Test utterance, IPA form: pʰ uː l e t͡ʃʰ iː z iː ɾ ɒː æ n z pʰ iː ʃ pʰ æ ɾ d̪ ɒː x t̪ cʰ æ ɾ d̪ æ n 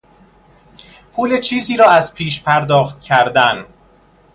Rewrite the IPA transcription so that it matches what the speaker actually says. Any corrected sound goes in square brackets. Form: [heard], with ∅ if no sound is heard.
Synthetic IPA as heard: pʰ uː l e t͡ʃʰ iː z iː ɾ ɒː æ [∅] z pʰ iː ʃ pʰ æ ɾ d̪ ɒː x t̪ cʰ æ ɾ d̪ æ n